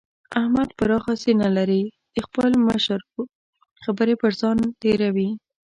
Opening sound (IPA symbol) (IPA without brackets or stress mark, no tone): a